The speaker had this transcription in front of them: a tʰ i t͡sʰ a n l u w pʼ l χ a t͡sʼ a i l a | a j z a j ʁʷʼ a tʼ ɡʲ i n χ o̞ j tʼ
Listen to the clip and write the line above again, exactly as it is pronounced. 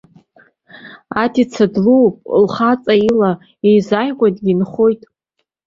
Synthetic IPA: a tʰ i t͡sʰ a d l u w pʼ l χ a t͡sʼ a i l a | e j z a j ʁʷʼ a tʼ ɡʲ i n χ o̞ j tʼ